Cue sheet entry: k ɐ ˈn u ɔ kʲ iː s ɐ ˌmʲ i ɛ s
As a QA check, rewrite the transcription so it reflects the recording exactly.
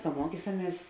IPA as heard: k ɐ ˈm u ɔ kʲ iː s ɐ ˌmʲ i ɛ s